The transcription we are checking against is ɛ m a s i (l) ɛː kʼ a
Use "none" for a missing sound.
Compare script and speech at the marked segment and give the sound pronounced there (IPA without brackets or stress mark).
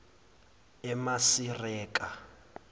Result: r